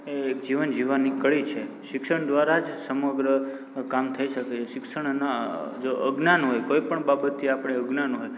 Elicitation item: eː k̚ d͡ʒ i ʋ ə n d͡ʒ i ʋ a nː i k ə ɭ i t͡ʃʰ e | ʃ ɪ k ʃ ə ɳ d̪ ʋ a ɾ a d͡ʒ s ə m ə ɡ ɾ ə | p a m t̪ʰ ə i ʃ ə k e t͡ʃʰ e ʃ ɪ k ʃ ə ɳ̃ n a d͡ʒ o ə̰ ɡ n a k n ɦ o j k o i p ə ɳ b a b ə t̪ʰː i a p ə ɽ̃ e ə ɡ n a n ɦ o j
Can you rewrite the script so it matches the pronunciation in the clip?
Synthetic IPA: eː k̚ d͡ʒ i ʋ ə n d͡ʒ i ʋ a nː i k ə ɭ i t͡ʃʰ e | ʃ ɪ k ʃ ə ɳ d̪ ʋ a ɾ a d͡ʒ s ə m ə ɡ ɾ ə | k a m t̪ʰ ə i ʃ ə k e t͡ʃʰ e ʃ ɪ k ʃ ə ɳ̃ n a d͡ʒ o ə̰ ɡ n a n ɦ o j k o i p ə ɳ b a b ə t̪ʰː i a p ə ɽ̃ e ə ɡ n a n ɦ o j